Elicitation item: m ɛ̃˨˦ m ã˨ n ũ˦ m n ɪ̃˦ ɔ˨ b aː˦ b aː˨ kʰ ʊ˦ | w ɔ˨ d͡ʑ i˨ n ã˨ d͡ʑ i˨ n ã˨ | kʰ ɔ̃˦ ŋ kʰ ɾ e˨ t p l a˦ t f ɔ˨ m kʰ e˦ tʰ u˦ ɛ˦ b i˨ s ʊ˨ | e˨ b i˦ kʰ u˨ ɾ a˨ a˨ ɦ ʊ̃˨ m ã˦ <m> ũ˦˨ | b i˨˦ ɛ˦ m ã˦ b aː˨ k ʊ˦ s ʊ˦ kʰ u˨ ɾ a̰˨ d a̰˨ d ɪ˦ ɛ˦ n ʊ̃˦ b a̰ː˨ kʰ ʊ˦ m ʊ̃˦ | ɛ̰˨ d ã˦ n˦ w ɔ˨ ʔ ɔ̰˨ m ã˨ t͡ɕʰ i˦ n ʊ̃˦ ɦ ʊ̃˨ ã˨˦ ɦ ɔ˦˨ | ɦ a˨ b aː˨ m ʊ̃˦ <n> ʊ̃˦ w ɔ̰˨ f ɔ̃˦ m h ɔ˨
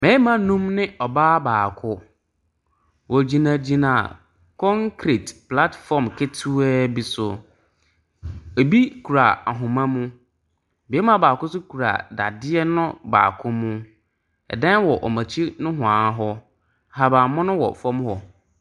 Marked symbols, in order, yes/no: yes, yes

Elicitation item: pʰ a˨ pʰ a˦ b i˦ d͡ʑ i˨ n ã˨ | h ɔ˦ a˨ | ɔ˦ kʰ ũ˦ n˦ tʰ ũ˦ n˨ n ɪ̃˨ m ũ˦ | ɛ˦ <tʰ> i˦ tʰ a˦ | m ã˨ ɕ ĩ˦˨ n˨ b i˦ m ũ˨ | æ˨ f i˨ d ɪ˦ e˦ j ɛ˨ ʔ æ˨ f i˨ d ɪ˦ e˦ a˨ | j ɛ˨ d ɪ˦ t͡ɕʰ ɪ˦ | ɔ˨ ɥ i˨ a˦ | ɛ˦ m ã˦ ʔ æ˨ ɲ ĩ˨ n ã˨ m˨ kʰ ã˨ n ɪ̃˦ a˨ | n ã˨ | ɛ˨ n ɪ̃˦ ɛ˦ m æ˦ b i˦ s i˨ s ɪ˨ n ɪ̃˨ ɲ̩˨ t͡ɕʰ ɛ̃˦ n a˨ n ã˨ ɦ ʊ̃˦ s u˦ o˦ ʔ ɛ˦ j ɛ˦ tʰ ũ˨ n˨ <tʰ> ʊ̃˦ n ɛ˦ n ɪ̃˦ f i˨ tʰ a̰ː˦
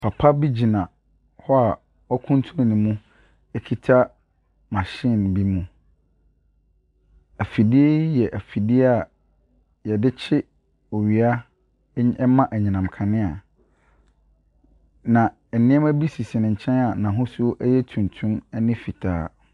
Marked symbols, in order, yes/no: no, yes

